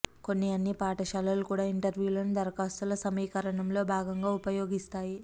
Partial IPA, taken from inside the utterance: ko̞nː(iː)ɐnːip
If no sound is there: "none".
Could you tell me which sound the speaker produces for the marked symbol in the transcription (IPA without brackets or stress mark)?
i